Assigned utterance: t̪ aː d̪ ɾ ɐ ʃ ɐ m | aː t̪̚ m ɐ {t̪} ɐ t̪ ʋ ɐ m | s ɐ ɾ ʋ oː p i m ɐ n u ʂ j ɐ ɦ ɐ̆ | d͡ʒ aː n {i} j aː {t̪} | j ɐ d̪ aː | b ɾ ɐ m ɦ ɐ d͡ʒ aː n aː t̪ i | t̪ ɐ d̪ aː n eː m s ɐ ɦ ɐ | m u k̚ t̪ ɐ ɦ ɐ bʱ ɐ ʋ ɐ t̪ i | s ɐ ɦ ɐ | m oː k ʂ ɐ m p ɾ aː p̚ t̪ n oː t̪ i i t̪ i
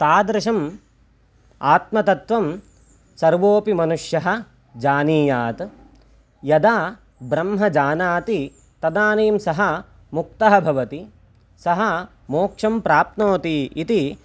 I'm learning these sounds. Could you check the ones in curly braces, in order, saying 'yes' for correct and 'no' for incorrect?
yes, no, yes

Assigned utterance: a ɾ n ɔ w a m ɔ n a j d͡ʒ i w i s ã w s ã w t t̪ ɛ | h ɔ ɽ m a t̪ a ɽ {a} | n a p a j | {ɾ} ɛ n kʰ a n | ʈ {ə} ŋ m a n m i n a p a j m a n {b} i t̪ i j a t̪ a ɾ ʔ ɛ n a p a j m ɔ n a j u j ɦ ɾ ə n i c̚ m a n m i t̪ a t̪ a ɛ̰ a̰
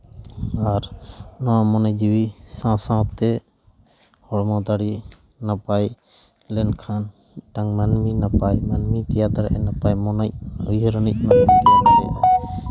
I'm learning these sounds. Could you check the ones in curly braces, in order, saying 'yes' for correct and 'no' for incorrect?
no, no, no, no

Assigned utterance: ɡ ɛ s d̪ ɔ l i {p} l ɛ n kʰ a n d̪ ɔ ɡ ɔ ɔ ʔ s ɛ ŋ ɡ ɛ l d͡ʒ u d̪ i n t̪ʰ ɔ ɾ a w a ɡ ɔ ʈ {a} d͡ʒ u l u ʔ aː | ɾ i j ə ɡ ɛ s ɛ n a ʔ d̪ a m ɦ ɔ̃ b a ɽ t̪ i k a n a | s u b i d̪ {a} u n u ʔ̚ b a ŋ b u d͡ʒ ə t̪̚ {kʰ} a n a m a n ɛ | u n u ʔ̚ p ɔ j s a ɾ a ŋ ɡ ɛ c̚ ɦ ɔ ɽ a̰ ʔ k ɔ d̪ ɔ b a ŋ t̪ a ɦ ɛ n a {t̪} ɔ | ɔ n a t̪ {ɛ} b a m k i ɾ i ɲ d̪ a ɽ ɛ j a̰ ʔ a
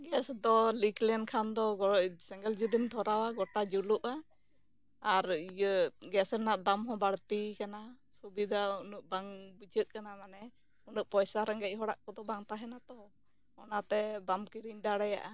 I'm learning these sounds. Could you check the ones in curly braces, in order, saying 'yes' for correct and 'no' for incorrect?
no, yes, yes, no, yes, yes

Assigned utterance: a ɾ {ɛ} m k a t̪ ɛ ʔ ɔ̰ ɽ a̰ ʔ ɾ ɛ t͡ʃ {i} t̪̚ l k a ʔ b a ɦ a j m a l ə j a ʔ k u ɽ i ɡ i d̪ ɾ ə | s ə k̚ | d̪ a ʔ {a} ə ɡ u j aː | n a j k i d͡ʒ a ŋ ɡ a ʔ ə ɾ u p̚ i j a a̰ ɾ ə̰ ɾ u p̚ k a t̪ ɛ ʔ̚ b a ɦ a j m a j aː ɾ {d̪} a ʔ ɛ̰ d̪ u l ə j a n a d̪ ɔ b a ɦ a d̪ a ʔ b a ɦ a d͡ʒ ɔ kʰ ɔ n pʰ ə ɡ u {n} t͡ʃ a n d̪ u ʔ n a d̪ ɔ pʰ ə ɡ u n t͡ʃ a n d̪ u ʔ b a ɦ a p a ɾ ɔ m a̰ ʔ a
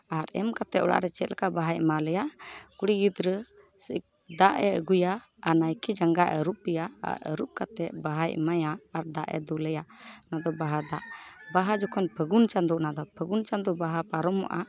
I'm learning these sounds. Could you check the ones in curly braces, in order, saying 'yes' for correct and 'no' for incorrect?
yes, no, no, yes, yes

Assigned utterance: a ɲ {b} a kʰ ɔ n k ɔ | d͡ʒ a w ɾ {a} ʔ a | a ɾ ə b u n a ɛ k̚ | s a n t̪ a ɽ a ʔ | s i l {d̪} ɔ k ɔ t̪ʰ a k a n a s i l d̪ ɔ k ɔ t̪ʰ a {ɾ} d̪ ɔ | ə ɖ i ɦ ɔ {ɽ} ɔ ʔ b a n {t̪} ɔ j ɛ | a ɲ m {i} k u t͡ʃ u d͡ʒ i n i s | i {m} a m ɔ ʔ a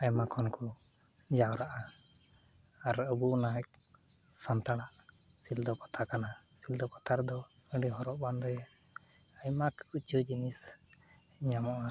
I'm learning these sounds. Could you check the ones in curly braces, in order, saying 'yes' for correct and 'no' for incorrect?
no, yes, yes, yes, no, no, no, no

